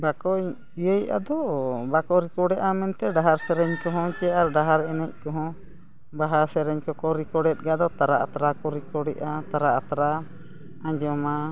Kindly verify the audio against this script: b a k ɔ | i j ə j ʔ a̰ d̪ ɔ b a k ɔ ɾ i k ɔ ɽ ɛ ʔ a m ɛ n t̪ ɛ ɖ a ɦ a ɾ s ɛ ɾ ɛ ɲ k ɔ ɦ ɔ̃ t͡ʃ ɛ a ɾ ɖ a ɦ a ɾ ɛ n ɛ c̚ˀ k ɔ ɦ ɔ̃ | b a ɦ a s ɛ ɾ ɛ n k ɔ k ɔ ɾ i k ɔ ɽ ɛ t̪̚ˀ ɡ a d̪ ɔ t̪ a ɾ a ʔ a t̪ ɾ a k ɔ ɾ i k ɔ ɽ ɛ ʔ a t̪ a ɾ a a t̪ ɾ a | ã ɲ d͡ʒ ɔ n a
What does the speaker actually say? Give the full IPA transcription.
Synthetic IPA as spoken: b a k ɔ | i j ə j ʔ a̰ d̪ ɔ b a k ɔ ɾ i k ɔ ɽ ɛ ʔ a m ɛ n t̪ ɛ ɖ a ɦ a ɾ s ɛ ɾ ɛ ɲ k ɔ ɦ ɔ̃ t͡ʃ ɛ a ɾ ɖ a ɦ a ɾ ɛ n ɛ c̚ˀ k ɔ ɦ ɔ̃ | b a ɦ a s ɛ ɾ ɛ ɲ k ɔ k ɔ ɾ i k ɔ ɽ ɛ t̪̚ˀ ɡ a d̪ ɔ t̪ a ɾ a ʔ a t̪ ɾ a k ɔ ɾ i k ɔ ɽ ɛ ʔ a t̪ a ɾ a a t̪ ɾ a | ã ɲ d͡ʒ ɔ m a